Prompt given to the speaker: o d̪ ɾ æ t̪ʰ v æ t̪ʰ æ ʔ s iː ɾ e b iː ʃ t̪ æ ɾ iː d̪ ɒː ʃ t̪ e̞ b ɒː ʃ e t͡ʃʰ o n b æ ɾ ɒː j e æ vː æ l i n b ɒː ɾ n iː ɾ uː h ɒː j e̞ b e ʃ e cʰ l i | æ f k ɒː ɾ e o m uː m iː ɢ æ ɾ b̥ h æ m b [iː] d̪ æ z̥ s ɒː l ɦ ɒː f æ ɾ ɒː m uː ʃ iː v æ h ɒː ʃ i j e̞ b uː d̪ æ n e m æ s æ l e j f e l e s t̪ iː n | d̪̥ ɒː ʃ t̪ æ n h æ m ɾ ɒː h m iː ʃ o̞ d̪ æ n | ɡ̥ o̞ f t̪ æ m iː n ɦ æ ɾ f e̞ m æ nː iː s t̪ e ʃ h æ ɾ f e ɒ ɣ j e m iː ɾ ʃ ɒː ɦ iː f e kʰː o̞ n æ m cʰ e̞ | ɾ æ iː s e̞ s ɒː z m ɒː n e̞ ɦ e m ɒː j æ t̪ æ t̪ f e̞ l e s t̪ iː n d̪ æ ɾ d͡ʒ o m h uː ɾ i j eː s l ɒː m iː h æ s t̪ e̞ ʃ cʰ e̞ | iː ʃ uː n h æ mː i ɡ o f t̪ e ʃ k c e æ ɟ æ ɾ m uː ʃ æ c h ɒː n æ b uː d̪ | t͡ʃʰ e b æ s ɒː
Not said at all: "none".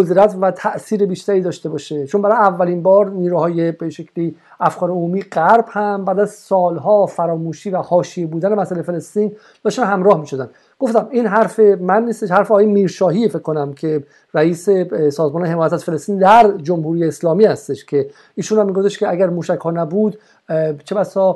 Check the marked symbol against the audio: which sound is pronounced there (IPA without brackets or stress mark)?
æː